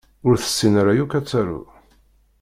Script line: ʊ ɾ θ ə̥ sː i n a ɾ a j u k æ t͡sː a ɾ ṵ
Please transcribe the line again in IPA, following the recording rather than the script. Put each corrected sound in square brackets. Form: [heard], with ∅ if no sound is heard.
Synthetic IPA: ʊ ɾ θ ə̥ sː i n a ɾ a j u k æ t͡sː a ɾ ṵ